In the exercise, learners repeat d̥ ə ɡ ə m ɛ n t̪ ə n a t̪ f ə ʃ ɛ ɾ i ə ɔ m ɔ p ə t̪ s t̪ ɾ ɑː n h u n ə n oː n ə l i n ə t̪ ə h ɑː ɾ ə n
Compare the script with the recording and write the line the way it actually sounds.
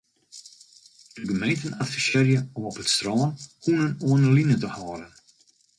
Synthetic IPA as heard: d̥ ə ɡ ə m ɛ n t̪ ə n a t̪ f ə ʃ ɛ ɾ j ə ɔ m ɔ p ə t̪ s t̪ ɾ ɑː n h u n ə n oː n ə l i n ə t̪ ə h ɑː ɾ ə n

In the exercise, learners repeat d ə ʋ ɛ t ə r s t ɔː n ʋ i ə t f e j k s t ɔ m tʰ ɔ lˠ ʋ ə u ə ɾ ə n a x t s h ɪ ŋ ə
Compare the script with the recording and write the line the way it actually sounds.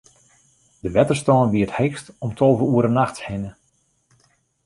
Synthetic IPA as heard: d ə ʋ ɛ t ə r s t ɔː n ʋ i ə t h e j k s t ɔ m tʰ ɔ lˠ v ə u ə ɾ ə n a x t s h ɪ n ə

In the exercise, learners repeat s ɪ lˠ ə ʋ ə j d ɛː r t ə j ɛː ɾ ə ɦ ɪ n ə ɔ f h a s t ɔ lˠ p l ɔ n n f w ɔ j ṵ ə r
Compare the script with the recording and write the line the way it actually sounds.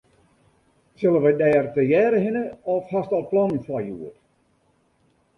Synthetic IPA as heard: s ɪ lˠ ə ʋ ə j d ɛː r t ə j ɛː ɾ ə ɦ ɪ n ə ɔ f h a s t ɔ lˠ p l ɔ n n f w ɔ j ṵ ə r

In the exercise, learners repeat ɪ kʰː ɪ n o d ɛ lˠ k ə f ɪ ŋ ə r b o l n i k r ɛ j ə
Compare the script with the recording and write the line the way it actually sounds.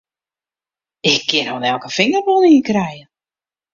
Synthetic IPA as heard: ɪ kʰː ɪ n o n ɛ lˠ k ə f ɪ ŋ ə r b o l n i k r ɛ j ə

